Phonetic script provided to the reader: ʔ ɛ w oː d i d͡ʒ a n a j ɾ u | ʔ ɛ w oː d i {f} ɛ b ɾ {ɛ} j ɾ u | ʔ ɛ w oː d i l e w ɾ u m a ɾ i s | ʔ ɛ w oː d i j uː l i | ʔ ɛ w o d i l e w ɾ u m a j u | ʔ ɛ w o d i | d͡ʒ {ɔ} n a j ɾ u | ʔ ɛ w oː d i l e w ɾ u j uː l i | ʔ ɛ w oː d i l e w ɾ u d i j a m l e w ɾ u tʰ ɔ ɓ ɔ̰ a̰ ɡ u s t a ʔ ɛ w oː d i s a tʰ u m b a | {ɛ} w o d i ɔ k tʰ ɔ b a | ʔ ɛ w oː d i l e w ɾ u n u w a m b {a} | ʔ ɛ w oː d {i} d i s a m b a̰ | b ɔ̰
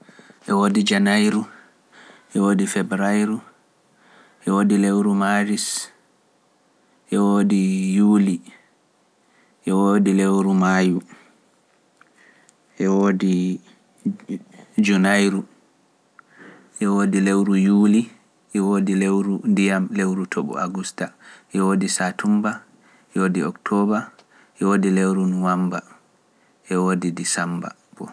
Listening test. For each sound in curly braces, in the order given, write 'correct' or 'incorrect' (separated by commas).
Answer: correct, incorrect, incorrect, correct, correct, correct